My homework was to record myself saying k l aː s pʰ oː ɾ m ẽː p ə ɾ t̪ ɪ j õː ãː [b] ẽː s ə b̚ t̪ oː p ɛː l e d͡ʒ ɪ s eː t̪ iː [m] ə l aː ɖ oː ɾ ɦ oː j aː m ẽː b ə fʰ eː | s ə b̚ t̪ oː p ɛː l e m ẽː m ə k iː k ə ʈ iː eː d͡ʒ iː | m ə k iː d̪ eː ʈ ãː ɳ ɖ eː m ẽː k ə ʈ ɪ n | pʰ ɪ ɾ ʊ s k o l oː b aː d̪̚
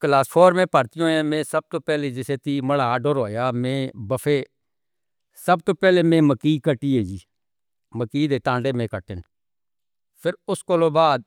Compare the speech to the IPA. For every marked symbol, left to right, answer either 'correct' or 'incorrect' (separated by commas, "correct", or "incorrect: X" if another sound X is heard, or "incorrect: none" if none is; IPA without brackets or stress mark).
incorrect: m, correct